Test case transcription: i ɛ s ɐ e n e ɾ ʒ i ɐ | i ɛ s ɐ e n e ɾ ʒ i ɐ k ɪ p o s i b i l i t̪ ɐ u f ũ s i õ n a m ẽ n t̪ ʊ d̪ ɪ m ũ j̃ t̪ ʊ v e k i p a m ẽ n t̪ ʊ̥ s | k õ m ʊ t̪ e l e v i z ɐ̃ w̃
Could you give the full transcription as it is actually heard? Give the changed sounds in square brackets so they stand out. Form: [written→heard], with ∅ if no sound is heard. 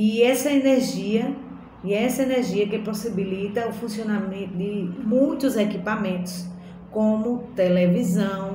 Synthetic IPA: i ɛ s ɐ e n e ɾ ʒ i ɐ | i ɛ s ɐ e n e ɾ ʒ i ɐ k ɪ p o s i b i l i t̪ ɐ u f ũ s i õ n a m ẽ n t̪ ʊ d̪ ɪ m ũ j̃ t̪ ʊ [v→z] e k i p a m ẽ n t̪ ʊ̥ s | k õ m ʊ t̪ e l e v i z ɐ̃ w̃